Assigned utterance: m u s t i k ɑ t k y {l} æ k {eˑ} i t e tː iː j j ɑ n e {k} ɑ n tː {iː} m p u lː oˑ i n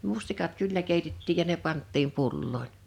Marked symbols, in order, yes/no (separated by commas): no, yes, no, yes